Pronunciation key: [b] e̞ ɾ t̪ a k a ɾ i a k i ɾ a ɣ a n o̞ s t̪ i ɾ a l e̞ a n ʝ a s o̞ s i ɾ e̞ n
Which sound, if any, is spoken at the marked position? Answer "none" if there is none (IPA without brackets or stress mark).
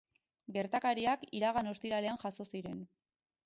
ɡ